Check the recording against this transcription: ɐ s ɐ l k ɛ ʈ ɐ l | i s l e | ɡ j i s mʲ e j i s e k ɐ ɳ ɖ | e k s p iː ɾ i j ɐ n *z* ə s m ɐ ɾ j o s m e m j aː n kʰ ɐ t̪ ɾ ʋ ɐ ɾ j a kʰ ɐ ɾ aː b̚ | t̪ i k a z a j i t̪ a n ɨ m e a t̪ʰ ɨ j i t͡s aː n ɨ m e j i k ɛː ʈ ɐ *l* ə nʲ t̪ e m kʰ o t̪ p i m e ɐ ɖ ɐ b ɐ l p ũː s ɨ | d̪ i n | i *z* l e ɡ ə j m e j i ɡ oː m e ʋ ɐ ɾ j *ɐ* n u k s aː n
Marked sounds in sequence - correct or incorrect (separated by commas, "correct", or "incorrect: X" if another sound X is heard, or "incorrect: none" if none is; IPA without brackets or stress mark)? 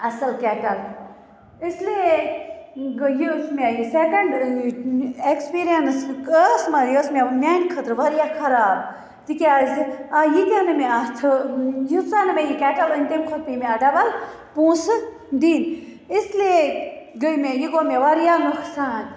incorrect: s, correct, incorrect: s, incorrect: a